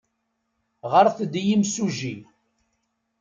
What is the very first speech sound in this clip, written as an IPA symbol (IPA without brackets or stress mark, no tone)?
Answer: ʁ